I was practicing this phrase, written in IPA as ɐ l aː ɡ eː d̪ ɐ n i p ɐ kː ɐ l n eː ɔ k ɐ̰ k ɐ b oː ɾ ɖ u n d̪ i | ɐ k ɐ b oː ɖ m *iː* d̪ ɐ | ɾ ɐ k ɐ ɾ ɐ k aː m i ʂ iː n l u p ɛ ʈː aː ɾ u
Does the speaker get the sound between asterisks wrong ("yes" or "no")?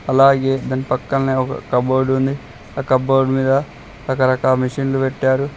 no